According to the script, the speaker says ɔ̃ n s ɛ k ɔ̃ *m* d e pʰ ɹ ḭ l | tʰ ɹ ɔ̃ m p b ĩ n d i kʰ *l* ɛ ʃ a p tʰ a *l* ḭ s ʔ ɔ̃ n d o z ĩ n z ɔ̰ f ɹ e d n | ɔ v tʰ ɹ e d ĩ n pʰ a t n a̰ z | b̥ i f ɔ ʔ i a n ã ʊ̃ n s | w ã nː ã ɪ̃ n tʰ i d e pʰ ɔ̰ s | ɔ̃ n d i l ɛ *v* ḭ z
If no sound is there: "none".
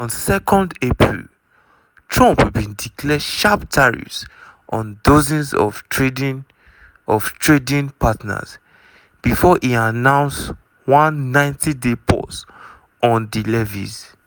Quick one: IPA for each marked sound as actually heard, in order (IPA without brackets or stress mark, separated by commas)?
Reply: n, l, ɹ, v